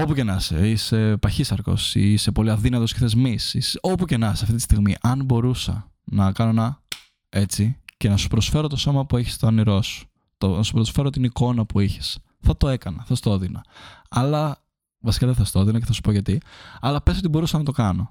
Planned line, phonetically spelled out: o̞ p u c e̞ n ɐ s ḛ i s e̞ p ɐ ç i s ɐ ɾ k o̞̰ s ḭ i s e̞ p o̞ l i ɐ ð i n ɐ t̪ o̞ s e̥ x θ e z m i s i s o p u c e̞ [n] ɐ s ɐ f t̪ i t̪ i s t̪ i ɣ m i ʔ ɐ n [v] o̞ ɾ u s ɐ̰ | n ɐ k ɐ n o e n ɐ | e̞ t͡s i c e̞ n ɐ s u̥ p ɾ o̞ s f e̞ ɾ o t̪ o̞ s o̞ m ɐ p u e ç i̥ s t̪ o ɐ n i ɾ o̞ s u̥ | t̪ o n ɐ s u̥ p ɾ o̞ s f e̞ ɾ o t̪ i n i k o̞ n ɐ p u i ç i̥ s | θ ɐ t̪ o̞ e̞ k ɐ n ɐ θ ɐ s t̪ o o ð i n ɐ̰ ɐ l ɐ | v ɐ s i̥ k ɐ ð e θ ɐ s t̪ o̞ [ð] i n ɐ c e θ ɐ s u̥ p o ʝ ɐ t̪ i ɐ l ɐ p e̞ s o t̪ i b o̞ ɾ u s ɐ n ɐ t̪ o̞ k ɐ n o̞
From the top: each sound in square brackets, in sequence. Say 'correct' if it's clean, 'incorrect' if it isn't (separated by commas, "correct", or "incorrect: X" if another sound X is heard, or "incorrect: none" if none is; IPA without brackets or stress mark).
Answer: correct, incorrect: b, correct